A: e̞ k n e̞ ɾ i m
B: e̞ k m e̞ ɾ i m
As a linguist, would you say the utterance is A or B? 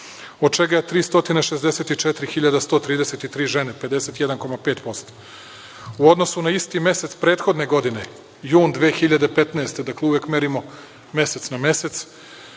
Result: B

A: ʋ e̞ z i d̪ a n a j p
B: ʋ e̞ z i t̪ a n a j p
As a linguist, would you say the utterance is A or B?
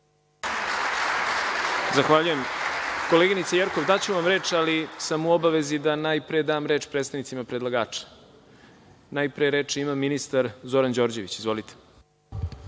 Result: A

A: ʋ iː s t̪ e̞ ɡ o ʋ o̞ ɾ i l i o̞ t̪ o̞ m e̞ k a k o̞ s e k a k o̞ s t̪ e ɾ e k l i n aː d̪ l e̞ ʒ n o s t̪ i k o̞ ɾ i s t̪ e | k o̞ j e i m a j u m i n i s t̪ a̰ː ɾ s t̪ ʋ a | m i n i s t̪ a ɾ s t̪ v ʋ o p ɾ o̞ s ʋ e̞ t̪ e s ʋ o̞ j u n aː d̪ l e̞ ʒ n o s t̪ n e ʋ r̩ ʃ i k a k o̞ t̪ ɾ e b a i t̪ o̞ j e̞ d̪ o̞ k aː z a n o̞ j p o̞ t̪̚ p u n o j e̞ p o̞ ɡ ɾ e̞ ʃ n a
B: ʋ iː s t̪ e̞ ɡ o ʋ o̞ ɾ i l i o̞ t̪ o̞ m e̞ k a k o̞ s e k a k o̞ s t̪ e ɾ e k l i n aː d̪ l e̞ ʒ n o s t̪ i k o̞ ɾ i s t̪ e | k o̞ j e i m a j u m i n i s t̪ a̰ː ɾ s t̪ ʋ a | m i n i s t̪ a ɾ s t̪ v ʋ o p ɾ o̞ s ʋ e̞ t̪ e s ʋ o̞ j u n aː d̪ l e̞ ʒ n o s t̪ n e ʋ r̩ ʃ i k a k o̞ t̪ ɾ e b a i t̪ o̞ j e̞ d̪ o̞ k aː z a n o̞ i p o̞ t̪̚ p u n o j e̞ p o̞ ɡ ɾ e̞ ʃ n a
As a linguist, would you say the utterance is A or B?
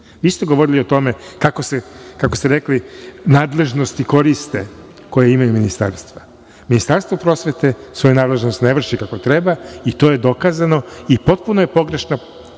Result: B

